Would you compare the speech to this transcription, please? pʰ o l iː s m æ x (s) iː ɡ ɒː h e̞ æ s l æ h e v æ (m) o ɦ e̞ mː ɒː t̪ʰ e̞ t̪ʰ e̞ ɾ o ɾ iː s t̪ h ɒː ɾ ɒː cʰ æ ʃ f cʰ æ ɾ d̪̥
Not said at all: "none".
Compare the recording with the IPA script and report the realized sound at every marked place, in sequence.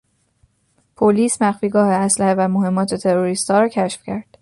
f, m

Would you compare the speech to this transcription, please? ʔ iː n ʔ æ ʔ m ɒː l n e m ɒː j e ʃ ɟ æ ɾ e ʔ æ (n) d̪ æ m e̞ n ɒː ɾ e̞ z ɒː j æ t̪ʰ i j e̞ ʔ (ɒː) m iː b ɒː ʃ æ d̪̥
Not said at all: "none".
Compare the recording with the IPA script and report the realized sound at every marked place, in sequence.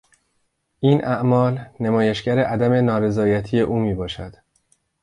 none, uː

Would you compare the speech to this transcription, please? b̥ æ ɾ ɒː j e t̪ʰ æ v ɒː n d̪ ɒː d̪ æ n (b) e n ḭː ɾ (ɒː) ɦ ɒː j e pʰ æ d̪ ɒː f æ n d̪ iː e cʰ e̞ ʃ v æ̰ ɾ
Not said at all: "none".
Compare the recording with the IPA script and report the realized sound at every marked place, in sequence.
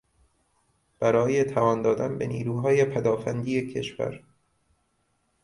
b, uː

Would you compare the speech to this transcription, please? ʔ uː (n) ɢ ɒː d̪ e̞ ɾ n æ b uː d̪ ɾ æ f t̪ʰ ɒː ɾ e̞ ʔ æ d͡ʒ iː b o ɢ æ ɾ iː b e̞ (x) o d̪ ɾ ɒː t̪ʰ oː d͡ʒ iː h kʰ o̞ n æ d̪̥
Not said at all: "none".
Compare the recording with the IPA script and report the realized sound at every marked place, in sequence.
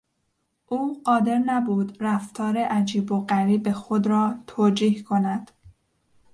none, x

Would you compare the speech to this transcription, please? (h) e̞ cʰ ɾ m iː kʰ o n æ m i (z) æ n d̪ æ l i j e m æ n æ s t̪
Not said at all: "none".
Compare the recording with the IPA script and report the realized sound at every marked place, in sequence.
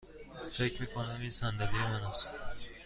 f, s

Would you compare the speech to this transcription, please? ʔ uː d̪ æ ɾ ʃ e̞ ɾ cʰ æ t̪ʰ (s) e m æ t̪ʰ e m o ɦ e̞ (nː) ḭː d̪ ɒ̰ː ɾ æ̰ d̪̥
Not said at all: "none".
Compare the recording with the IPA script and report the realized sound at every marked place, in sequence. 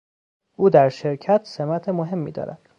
s, mː

